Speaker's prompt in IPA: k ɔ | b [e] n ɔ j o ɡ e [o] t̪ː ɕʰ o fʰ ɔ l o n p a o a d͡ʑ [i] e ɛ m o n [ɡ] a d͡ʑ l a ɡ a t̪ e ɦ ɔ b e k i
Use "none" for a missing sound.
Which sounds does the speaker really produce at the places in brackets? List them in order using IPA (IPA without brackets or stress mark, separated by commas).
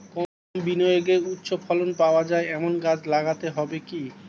i, u, a, ɡ